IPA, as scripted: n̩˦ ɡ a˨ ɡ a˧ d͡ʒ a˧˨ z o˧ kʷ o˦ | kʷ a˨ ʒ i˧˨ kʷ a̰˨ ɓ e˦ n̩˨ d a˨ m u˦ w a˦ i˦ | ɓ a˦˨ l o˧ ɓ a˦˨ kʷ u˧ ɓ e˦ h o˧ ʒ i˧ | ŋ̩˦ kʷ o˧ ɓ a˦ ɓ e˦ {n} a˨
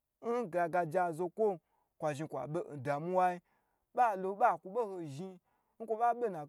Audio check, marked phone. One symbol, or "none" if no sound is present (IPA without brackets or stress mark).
n